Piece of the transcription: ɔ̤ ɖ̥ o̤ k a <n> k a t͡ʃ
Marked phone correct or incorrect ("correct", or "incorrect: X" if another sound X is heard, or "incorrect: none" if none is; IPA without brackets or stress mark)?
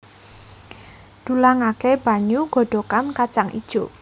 correct